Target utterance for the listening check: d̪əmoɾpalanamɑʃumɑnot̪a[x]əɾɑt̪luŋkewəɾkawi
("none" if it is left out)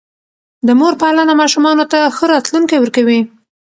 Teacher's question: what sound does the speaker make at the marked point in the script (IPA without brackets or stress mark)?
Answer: x